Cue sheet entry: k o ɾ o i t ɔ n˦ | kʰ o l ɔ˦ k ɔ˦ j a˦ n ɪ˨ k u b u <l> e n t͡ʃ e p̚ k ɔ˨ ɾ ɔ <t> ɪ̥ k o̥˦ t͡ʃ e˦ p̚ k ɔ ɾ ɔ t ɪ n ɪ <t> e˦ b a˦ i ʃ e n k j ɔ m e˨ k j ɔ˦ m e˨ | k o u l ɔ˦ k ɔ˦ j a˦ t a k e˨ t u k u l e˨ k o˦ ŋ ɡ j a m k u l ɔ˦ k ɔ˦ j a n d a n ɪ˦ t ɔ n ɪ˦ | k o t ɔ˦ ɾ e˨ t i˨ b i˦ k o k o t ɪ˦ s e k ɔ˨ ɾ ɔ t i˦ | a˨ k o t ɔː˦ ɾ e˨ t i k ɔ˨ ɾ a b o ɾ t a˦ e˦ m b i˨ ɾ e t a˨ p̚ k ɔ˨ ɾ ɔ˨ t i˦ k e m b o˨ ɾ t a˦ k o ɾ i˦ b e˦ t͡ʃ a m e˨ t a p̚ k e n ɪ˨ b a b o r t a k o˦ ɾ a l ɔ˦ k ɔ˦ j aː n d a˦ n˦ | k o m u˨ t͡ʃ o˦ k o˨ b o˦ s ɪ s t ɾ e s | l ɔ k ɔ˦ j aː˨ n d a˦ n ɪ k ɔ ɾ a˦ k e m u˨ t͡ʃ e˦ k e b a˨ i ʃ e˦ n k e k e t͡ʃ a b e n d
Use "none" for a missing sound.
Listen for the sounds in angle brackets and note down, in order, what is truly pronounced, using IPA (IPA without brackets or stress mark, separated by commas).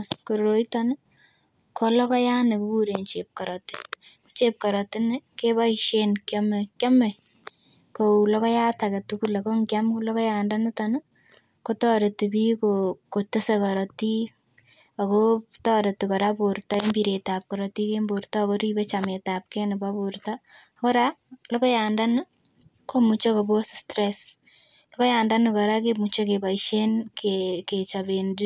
ɾ, t, k